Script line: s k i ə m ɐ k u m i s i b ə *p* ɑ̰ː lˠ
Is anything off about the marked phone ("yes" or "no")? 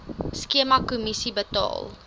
yes